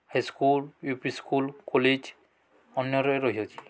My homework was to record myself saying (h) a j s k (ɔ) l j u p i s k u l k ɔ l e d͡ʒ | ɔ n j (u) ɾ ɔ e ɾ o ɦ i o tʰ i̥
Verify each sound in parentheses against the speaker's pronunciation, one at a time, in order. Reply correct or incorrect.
correct, incorrect, incorrect

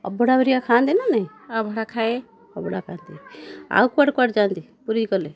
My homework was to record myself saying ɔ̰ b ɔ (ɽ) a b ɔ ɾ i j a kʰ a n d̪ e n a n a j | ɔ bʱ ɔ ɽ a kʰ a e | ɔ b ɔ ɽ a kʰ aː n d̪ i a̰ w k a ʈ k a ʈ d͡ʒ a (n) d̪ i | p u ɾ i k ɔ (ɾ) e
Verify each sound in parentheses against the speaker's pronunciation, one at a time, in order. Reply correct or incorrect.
correct, correct, incorrect

